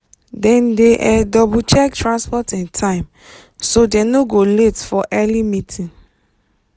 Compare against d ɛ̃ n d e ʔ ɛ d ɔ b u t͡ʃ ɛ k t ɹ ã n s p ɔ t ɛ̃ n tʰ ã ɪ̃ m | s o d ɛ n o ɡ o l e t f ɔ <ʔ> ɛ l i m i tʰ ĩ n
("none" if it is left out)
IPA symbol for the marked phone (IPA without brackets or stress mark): ʔ